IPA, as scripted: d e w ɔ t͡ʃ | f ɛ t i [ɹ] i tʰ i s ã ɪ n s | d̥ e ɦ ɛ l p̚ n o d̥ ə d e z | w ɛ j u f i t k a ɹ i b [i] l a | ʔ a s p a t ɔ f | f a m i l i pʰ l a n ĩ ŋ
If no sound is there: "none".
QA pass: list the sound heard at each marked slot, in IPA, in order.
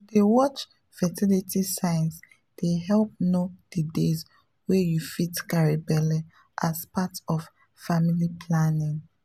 l, ɛ

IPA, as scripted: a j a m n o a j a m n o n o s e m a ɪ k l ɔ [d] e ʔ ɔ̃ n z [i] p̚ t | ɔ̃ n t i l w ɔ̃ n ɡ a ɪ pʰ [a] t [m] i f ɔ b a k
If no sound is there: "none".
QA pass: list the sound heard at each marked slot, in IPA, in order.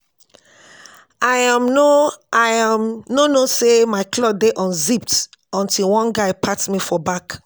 d, i, a, m

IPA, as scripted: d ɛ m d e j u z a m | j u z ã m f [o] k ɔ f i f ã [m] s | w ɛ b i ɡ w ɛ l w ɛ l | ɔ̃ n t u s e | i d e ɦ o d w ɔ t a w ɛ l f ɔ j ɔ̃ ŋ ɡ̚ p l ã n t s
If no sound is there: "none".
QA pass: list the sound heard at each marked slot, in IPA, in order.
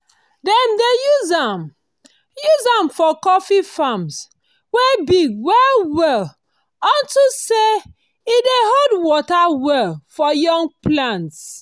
ɔ, m

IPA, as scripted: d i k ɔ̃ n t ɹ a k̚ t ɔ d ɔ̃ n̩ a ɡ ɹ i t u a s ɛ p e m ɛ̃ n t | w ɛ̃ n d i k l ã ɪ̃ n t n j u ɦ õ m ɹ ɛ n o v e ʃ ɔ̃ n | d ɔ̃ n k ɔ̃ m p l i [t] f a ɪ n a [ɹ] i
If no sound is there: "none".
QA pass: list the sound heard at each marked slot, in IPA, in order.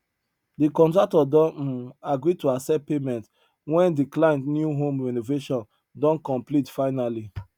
t, l

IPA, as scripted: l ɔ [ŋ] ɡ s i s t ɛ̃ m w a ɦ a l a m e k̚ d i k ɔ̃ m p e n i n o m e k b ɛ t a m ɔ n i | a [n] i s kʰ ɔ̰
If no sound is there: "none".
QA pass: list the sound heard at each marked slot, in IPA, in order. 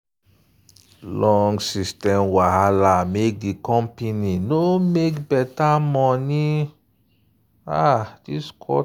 ŋ, d

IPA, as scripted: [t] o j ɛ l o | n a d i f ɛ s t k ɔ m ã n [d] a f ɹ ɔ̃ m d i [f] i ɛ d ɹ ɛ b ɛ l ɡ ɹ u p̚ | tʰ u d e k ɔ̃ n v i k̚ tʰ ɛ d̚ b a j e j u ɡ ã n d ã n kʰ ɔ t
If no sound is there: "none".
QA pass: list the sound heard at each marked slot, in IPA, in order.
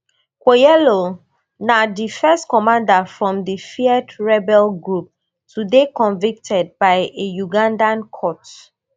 k, d, f

